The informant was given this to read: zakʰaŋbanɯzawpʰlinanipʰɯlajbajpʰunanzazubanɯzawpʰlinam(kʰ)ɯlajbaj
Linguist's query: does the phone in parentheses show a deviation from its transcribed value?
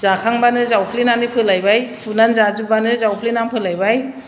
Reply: yes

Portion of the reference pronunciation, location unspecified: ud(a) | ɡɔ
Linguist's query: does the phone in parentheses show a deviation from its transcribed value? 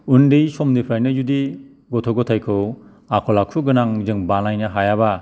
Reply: yes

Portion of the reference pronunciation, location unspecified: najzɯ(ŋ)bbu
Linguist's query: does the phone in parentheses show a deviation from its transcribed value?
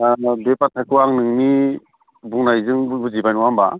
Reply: no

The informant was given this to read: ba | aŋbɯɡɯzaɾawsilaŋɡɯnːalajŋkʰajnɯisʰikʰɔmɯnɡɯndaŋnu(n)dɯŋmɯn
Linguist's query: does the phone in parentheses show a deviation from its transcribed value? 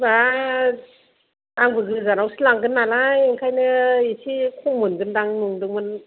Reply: yes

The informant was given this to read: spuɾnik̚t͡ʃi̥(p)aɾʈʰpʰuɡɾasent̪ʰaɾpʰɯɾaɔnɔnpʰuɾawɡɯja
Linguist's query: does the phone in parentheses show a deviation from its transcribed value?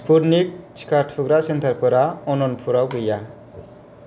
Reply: yes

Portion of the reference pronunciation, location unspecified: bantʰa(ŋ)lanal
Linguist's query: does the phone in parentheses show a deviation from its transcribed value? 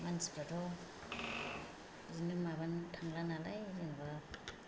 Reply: no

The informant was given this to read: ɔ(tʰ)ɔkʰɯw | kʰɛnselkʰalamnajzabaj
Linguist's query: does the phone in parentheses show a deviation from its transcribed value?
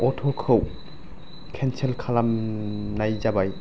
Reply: no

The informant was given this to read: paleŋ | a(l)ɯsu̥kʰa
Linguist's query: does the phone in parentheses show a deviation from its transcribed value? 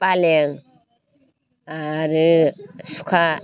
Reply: yes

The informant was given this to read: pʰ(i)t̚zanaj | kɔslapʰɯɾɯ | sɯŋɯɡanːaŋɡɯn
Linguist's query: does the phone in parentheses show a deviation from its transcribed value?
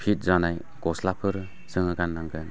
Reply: no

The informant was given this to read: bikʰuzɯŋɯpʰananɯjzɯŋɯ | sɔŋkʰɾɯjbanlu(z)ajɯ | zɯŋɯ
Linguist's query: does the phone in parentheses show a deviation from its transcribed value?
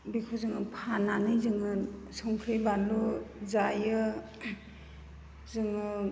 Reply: no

